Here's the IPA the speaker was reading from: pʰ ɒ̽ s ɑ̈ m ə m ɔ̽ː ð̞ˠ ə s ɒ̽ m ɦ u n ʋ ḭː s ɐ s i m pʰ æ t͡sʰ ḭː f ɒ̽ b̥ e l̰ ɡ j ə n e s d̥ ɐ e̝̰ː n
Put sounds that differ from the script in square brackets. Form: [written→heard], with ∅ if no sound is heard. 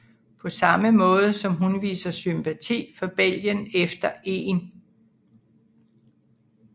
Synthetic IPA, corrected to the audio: pʰ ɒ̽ s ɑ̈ m ə m ɔ̽ː ð̞ˠ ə s ɒ̽ m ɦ u n ʋ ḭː s ɐ s [i→y] m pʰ æ t͡sʰ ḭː f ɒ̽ b̥ e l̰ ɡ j ə n e [s→f] d̥ ɐ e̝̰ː n